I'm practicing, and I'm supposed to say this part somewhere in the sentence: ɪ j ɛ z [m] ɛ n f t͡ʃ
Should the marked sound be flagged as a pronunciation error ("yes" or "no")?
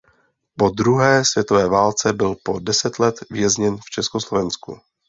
yes